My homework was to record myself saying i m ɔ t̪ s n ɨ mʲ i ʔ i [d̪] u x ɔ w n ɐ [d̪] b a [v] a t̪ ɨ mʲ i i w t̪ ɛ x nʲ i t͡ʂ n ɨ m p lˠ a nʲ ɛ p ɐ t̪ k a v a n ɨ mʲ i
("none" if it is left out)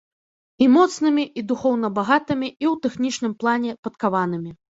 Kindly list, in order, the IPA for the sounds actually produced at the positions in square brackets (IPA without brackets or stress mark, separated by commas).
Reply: d̪, none, ɣ